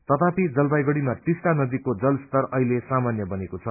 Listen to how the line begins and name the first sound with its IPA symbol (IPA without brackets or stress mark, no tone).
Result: t̪